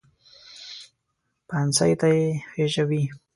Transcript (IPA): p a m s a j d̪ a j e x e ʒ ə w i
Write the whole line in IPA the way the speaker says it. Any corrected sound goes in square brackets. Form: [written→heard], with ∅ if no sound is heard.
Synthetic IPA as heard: p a [m→n] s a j [d̪→t̪] a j e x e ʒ [ə→a] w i

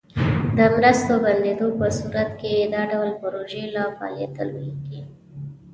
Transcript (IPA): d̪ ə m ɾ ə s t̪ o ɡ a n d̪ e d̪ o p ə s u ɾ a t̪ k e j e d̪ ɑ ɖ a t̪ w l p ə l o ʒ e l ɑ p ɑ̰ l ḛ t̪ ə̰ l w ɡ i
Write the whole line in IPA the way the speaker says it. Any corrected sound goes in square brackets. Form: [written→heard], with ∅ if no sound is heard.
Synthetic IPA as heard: d̪ ə m ɾ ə s t̪ o [ɡ→b] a n d̪ e d̪ o p ə s u ɾ a t̪ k e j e d̪ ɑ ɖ a [t̪→∅] w l p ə [l→ɾ] o ʒ e l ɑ p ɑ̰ l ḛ t̪ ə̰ l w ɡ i

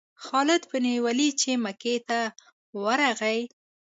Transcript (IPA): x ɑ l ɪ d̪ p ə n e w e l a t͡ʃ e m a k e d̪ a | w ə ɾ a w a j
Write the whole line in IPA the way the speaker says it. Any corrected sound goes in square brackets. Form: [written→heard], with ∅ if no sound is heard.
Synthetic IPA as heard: x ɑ l ɪ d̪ p ə n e w [e→a] l [a→i] t͡ʃ e m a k e [d̪→t̪] a | w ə ɾ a [w→ɣ] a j

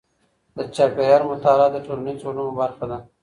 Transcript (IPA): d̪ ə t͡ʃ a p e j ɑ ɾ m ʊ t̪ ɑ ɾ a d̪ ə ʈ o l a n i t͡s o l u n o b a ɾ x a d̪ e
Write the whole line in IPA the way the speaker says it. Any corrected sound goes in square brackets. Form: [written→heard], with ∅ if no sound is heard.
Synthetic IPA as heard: d̪ ə t͡ʃ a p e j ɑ ɾ m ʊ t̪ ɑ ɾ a d̪ ə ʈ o l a n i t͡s o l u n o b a ɾ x a d̪ [e→a]

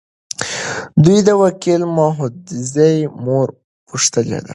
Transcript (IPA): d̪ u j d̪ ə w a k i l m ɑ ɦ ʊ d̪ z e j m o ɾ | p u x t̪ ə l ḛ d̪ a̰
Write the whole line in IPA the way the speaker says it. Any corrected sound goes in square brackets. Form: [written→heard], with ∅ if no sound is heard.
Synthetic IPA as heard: d̪ u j d̪ ə w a k i l m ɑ ɦ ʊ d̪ z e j m o ɾ | p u [x→ʂ] t̪ ə l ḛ d̪ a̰

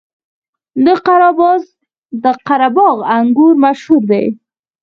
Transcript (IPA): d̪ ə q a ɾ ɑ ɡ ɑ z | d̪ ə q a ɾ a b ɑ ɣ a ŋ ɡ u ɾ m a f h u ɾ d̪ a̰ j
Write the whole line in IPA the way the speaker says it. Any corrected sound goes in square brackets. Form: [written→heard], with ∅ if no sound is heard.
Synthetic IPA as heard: d̪ ə q a ɾ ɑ [ɡ→b] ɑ z | d̪ ə q a ɾ a b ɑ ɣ a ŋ ɡ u ɾ m a [f→ʃ] h u ɾ d̪ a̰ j

